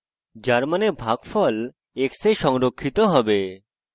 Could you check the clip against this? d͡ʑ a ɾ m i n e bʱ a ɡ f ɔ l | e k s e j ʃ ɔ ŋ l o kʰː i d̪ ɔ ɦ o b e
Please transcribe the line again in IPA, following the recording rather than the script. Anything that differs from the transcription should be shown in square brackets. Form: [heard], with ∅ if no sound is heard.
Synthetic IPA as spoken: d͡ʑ a ɾ m [a] n e bʱ a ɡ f ɔ l | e k s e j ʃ ɔ ŋ [ɾ] o kʰː i [t̪] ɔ ɦ [ɔ] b e